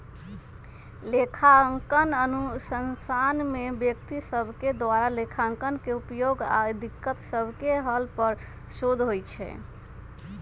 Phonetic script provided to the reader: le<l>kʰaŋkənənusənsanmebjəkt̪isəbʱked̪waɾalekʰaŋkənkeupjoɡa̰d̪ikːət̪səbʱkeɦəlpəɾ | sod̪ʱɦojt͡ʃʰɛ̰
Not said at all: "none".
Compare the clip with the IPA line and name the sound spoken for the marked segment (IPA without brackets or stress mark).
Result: none